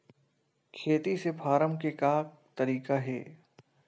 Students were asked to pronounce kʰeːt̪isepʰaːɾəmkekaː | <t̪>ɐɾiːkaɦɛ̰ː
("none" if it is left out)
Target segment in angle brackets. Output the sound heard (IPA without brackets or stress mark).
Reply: t̪